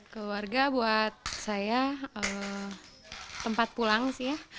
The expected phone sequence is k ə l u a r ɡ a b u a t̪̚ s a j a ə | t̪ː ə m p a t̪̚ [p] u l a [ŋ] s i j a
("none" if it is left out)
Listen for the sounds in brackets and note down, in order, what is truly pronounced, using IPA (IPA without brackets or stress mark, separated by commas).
p, ŋ